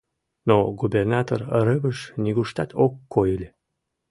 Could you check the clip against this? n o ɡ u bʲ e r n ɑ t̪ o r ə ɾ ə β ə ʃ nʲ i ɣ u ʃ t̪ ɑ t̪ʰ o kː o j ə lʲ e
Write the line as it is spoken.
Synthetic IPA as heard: n o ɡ u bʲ e r n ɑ t̪ o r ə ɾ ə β ə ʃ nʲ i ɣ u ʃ t̪ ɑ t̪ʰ o kː o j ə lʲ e